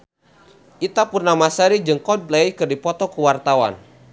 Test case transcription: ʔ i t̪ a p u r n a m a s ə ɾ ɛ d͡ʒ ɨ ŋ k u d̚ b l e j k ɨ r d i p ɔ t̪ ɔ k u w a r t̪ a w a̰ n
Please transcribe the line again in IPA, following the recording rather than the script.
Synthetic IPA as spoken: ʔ i t̪ a p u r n a m a s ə ɾ i d͡ʒ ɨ ŋ k ɔ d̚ b l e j k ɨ r d i p ɔ t̪ ɔ k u w a r t̪ a w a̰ n